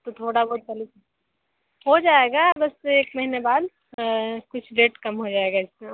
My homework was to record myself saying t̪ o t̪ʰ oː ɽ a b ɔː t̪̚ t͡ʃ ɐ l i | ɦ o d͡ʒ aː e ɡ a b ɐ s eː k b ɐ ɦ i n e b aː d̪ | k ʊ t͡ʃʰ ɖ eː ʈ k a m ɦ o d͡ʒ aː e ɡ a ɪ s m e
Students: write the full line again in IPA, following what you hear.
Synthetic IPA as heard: t̪ o t̪ʰ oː ɽ a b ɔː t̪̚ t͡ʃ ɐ l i | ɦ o d͡ʒ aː e ɡ a b ɐ s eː k m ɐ ɦ i n e b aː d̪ | k ʊ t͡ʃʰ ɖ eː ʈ k ɐ m ɦ o d͡ʒ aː e ɡ a ɪ s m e